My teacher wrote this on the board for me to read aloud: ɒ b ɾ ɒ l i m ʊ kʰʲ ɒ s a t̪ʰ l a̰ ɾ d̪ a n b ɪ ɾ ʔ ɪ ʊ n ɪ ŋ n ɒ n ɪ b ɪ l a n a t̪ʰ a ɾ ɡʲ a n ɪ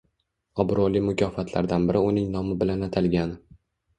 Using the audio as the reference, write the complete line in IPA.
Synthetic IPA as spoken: ɒ b ɾ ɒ l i m ʊ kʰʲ ɒ f a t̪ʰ l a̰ ɾ d̪ a n b ɪ ɾ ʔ ɪ ʊ n ɪ ŋ n ɒ m ɪ b ɪ l a n a t̪ʰ a l ɡʲ a n ɪ